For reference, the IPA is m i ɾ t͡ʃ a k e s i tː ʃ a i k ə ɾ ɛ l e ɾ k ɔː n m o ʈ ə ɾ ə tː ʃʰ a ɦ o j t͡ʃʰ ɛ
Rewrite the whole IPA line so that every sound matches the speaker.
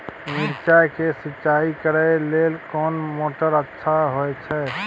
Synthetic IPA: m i ɾ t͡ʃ a k e s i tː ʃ a i k ə ɾ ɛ l e l k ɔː n m o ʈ ə ɾ ə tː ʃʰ a ɦ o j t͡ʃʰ ɛ